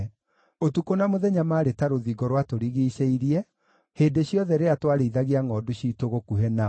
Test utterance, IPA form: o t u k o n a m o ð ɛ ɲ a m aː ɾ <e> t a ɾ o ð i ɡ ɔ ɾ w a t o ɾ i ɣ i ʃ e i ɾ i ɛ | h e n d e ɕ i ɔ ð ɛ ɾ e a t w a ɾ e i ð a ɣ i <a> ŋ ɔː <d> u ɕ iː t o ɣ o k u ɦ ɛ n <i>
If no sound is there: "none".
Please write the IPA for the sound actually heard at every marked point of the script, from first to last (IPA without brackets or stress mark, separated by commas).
e, a, d, a